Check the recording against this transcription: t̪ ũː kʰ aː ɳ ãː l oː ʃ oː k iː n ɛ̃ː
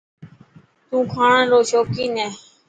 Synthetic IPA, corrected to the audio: t̪ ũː kʰ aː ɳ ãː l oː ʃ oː k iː n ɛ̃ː